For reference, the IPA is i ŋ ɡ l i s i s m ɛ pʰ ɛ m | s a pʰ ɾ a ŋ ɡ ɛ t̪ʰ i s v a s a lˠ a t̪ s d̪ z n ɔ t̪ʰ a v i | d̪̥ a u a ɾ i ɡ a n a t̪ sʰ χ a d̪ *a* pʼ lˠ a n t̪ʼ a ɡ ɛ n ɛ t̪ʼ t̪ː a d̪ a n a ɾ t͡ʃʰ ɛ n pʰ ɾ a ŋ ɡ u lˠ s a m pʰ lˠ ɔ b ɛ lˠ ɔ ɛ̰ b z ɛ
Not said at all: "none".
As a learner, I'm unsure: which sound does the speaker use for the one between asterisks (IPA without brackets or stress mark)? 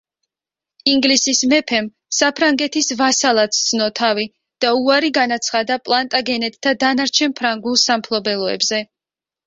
a